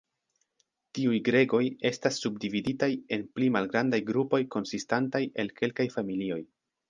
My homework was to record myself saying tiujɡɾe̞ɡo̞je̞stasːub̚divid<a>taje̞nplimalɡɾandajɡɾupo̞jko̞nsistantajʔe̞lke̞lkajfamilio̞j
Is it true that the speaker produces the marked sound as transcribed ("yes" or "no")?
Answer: no